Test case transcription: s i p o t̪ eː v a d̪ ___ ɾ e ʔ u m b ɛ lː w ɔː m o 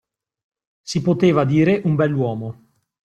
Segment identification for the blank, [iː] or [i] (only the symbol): iː